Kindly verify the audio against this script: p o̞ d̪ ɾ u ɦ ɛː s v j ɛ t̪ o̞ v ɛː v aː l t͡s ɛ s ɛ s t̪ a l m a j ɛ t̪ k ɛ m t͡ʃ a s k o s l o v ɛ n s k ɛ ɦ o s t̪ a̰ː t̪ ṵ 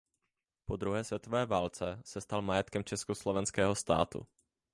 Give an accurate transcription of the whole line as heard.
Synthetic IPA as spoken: p o̞ d̪ ɾ u ɦ ɛː s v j ɛ t̪ o̞ v ɛː v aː l t͡s ɛ s ɛ s t̪ a l m a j ɛ t̪ k ɛ m t͡ʃ ɛ s k o s l o v ɛ n s k ɛː ɦ o s t̪ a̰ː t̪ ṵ